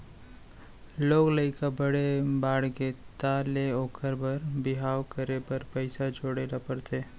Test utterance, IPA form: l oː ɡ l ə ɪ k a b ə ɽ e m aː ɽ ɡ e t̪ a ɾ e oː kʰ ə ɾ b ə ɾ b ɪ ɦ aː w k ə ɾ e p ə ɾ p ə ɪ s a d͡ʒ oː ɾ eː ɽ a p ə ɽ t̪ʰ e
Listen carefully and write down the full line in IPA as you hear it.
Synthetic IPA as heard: l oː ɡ l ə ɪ k a b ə ɽ e b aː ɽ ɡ e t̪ a l e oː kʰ ə ɾ b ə ɾ b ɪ ɦ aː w k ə ɾ e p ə ɾ p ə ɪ s a d͡ʒ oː ɽ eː l a p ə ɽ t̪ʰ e